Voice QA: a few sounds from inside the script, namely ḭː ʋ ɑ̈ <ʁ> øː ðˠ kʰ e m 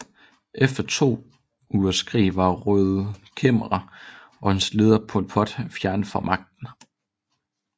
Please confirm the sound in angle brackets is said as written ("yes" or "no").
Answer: yes